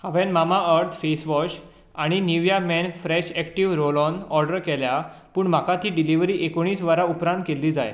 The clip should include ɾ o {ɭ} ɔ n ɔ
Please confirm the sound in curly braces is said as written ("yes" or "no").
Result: no